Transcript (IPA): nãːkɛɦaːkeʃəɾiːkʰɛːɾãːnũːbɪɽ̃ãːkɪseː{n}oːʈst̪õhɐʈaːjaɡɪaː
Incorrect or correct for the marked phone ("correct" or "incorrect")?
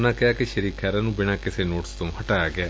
correct